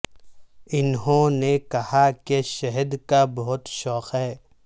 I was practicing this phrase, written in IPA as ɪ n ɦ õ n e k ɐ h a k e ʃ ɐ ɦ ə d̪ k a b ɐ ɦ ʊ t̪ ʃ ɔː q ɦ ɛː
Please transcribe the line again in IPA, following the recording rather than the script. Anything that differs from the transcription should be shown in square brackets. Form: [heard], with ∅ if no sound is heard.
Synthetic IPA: ɪ n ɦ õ n e k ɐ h a k e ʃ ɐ ɦ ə d̪ k a b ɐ ɦ ʊ t̪ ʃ ɔː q ɦ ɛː